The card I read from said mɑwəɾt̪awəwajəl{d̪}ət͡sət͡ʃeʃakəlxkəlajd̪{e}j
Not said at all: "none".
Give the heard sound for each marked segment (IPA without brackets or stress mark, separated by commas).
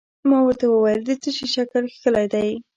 d̪, a